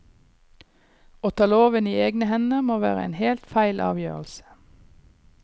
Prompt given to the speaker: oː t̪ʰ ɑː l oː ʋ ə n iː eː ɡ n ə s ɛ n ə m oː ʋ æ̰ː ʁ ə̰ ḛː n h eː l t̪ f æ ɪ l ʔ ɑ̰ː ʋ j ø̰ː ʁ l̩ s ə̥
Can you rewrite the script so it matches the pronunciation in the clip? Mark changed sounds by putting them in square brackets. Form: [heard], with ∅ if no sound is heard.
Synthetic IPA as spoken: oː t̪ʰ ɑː l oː ʋ ə n iː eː ɡ n ə [h] ɛ n ə m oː ʋ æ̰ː ʁ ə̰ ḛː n h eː l t̪ f æ ɪ l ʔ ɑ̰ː ʋ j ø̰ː ʁ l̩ s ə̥